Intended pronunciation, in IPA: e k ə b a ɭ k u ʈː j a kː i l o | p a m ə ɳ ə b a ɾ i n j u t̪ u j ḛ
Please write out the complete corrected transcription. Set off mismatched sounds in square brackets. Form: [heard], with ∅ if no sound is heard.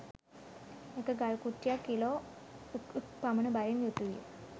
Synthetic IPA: e k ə [ɡ] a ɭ k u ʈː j a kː i l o | p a m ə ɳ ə b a ɾ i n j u t̪ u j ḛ